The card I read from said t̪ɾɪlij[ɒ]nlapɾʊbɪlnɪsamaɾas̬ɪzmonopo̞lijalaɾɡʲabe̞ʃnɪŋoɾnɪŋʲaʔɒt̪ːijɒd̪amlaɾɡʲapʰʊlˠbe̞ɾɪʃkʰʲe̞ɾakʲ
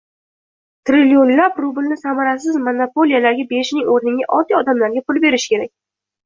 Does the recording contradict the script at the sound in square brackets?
yes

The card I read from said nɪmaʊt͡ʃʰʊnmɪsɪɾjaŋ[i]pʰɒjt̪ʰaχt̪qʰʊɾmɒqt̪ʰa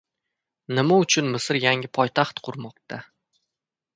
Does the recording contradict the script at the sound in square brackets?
yes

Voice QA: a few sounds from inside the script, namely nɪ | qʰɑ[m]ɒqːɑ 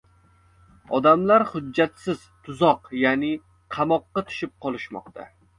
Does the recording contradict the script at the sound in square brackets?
no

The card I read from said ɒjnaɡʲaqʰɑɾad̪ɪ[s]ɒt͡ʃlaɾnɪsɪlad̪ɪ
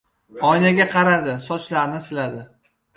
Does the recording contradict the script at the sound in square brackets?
no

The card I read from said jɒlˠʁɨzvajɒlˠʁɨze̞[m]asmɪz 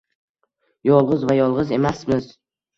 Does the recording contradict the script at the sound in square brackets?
no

